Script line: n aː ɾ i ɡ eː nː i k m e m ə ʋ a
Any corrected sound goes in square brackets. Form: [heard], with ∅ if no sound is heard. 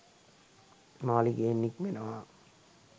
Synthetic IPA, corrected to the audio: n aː [l] i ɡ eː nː i k m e [n] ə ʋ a